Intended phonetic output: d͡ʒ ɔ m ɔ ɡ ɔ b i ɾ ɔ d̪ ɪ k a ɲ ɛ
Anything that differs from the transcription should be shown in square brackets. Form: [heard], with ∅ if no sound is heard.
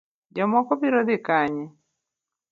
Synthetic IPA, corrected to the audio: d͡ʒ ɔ m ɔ [k] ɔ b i ɾ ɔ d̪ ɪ k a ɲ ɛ